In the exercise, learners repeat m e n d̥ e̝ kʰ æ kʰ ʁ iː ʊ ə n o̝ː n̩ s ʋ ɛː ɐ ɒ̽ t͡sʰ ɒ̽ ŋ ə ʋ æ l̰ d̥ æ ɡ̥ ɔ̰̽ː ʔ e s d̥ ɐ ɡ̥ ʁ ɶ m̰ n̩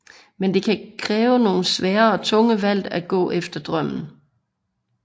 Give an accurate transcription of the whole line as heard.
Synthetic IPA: m e n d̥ e̝ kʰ æ kʰ ʁ ɛː ʊ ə n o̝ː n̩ s ʋ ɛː ɐ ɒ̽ t͡sʰ ɔ̽ ŋ ə ʋ æ l̰ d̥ æ ɡ̥ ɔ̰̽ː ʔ e f d̥ ɐ d̥ ʁ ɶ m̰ n̩